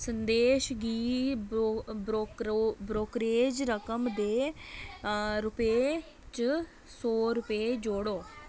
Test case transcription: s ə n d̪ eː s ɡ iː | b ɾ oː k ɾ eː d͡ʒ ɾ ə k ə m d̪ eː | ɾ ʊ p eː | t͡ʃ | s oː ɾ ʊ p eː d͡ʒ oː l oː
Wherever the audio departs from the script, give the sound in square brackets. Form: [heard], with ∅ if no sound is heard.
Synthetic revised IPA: s ə n d̪ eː [ʃ] ɡ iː | b ɾ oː k ɾ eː d͡ʒ ɾ ə k ə m d̪ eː | ɾ ʊ p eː | t͡ʃ | s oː ɾ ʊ p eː d͡ʒ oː [ɽ] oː